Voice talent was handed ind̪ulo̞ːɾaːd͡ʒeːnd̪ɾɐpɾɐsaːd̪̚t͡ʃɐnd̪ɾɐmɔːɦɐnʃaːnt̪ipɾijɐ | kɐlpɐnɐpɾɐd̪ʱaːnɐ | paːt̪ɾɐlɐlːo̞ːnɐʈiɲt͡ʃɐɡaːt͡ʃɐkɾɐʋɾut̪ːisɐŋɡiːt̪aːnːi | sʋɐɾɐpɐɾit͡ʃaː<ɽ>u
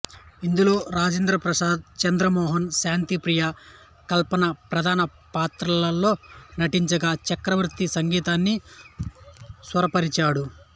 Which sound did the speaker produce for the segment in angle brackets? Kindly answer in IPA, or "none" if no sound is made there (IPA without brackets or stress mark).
ɽ